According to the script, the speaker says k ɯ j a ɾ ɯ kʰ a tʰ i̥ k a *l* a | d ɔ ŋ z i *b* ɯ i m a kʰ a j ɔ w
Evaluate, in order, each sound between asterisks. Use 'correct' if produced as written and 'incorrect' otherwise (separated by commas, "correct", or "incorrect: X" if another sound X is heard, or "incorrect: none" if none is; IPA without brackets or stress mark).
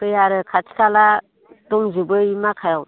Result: correct, correct